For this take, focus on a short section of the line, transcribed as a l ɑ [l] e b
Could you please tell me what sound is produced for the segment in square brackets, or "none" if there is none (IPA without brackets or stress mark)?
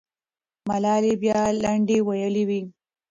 l